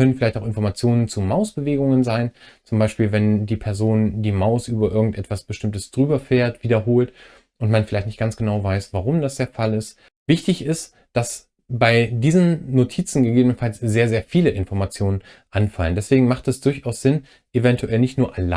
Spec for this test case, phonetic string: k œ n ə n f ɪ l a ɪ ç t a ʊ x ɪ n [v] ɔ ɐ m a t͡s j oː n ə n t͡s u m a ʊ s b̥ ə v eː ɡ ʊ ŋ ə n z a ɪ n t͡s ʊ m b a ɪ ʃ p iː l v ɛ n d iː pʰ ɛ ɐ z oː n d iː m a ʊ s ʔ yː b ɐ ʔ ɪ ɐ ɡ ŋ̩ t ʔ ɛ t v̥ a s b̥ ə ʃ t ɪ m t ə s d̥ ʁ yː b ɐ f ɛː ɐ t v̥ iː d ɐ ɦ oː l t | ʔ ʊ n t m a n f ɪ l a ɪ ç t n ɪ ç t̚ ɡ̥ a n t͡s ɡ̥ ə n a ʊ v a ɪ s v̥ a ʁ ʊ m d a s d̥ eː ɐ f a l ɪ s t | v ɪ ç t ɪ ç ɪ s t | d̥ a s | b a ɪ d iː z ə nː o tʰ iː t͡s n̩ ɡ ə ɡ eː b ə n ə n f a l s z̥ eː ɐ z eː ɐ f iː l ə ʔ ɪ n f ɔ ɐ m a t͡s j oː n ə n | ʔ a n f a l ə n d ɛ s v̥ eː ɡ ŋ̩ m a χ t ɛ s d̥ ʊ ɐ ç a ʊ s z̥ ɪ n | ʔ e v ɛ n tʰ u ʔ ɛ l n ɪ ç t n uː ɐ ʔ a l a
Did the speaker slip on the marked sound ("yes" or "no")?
yes